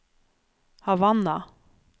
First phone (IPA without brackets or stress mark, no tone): h